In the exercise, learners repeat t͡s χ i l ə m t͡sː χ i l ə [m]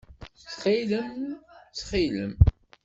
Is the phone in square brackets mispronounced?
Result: no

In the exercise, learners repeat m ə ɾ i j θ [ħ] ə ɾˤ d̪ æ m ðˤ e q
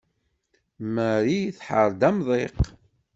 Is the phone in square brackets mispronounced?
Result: no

